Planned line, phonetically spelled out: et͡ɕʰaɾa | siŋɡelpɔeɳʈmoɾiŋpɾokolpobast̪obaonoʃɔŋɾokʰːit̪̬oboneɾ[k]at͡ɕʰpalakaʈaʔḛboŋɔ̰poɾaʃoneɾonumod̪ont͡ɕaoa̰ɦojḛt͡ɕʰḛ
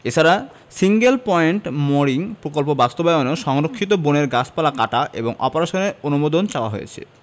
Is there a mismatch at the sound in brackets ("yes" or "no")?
yes